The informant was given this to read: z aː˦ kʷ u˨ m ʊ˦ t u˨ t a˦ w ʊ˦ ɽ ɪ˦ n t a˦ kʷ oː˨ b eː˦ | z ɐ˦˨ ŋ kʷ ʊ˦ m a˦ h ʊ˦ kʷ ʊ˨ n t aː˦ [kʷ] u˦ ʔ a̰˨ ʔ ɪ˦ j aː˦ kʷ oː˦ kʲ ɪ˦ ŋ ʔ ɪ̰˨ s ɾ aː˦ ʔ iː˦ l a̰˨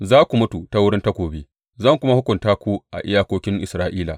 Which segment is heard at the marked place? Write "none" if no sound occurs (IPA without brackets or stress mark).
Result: kʷ